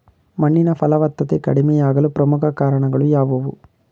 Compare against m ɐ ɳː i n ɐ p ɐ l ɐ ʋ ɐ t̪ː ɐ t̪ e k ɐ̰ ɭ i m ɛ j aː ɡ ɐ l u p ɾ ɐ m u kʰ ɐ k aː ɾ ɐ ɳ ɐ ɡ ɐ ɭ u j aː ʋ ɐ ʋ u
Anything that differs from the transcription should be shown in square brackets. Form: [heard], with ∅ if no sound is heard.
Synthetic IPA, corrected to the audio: m ɐ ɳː i n ɐ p ɐ l ɐ ʋ ɐ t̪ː ɐ t̪ e k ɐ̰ [ɽ] i m ɛ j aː ɡ ɐ l u p ɾ ɐ m u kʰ ɐ k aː ɾ ɐ ɳ ɐ ɡ ɐ ɭ u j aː ʋ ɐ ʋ u